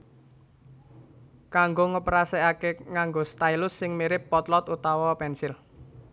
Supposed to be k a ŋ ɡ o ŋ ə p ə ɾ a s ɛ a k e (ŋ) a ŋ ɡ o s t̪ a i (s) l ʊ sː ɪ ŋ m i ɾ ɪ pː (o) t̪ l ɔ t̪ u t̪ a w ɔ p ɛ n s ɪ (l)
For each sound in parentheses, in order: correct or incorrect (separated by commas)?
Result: correct, incorrect, incorrect, correct